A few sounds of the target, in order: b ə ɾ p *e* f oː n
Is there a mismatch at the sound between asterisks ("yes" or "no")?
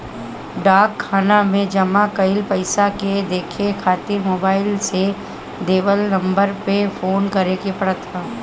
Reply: no